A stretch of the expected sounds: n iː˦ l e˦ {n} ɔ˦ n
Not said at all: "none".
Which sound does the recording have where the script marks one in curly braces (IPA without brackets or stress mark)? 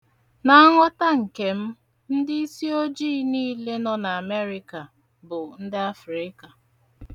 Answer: n